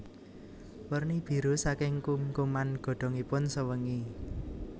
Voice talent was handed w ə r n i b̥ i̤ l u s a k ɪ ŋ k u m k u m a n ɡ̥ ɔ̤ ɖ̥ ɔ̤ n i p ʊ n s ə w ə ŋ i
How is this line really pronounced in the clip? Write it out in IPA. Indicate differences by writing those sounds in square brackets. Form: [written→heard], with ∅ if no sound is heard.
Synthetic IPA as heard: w ə r n i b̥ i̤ [l→ɾ] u s a k ɪ ŋ k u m k u m a n ɡ̥ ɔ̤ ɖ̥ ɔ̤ [n→ŋ] i p ʊ n s ə w ə ŋ i